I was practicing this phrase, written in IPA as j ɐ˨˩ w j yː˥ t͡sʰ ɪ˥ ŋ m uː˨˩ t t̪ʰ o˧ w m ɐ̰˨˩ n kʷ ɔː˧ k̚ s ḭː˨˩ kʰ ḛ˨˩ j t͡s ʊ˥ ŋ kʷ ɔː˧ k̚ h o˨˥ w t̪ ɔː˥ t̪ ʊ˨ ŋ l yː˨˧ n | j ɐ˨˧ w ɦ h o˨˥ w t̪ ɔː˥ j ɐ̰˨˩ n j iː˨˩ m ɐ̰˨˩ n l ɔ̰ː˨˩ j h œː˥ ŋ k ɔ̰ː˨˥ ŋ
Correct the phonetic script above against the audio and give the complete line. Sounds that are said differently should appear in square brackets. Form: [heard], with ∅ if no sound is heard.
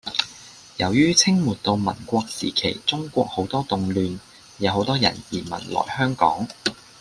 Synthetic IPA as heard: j ɐ˨˩ w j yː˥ t͡sʰ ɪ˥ ŋ m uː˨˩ t [t̪] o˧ w m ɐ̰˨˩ n kʷ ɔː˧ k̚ s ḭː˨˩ kʰ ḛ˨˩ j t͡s ʊ˥ ŋ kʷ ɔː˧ k̚ h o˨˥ w t̪ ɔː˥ t̪ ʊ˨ ŋ l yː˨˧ n | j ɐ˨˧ w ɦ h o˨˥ w t̪ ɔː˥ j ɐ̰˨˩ n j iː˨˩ m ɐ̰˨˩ n l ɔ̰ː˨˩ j h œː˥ ŋ k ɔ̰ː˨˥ ŋ